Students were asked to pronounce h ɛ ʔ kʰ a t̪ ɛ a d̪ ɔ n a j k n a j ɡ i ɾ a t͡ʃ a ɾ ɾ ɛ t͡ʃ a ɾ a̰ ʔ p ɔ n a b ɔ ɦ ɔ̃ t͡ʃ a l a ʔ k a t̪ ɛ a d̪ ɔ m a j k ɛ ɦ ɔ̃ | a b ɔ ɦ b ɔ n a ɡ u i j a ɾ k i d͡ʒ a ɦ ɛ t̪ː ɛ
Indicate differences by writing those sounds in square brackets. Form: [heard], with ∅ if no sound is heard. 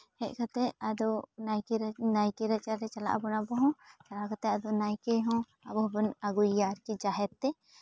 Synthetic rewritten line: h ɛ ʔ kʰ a t̪ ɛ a d̪ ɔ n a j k n a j [k] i ɾ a t͡ʃ a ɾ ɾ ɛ t͡ʃ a [l] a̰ ʔ [b] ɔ n a b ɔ ɦ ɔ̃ t͡ʃ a l a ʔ k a t̪ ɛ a d̪ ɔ [n] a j k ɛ ɦ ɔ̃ | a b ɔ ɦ b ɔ n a ɡ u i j a ɾ k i d͡ʒ a ɦ ɛ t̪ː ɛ